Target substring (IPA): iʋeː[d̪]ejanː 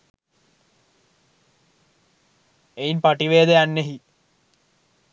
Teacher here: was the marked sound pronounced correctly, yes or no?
yes